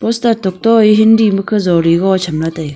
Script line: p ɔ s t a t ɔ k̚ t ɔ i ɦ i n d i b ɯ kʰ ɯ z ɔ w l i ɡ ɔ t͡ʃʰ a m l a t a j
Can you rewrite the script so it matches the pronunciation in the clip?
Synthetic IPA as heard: p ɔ s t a t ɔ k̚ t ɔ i ɦ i n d i m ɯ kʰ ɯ z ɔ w ɾ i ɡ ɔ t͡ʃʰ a m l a t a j